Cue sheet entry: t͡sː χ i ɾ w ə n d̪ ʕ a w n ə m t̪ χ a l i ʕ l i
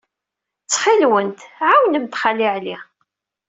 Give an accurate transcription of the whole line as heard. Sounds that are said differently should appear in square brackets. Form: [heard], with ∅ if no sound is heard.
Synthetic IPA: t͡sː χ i [l] w ə n [t̪] ʕ a w n ə m t̪ χ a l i ʕ l i